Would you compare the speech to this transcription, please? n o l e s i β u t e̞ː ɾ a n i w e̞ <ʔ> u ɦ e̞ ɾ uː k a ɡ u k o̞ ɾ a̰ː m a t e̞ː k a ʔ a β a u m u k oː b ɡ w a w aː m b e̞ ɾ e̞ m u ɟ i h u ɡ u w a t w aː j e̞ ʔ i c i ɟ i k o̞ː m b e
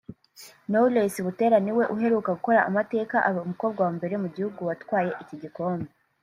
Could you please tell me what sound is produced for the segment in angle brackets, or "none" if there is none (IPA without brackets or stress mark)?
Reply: ʔ